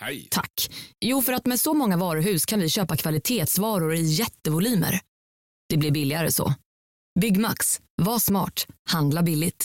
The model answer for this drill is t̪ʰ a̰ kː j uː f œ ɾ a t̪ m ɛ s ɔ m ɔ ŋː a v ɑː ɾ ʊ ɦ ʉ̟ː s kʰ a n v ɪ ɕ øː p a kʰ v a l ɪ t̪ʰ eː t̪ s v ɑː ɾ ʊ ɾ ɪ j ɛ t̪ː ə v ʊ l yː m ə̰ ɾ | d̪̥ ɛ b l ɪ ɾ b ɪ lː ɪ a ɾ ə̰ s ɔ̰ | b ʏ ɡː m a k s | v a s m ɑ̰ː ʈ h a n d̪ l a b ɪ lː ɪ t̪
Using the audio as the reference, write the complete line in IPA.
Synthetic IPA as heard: t̪ʰ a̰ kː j uː f œ ɾ a t̪ m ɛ s ɔ m ɔ ŋː a v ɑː ɾ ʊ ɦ ʉ̟ː s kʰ a n v ɪ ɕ øː p a kʰ v a l ɪ t̪ʰ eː t̪ s v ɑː ɾ ʊ ɾ ɪ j ɛ t̪ː ə v ʊ l yː m ə̰ ɾ | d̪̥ ɛ b l ɪ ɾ b ɪ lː ɪ a ɾ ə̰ s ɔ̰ | b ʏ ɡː m a k s | v a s m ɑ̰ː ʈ h a n d̪ l a b ɪ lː ɪ t̪